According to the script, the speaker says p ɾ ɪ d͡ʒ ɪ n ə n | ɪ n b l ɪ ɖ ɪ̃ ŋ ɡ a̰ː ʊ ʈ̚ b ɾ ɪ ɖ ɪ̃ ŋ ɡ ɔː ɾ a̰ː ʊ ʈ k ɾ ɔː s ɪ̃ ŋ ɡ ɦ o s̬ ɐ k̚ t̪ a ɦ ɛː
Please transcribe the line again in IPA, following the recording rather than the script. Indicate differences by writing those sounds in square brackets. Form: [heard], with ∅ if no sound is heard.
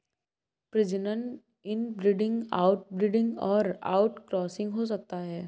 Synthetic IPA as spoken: p ɾ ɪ d͡ʒ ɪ n ə n | ɪ n b [ɾ] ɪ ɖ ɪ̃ ŋ ɡ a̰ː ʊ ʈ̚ b ɾ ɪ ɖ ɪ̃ ŋ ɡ ɔː ɾ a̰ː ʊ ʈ k ɾ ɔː s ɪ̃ ŋ ɡ ɦ o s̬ ɐ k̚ t̪ a ɦ ɛː